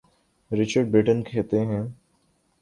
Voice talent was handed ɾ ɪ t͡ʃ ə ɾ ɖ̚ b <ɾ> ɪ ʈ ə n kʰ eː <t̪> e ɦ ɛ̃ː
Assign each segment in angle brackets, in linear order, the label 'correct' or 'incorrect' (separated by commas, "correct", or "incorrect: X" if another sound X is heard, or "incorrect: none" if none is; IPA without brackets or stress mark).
correct, correct